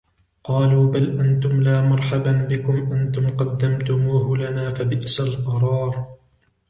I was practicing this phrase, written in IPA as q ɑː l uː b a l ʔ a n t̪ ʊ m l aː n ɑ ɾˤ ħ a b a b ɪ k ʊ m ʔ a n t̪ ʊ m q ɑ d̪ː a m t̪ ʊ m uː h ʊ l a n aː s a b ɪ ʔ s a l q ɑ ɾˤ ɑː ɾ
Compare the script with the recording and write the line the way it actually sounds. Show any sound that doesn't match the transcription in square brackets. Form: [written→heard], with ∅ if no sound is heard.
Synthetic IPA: q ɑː l uː b a l ʔ a n t̪ ʊ m l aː [n→m] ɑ ɾˤ ħ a b a b ɪ k ʊ m ʔ a n t̪ ʊ m q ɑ d̪ː a m t̪ ʊ m uː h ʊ l a n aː [s→f] a b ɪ ʔ s a l q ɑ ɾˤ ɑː ɾ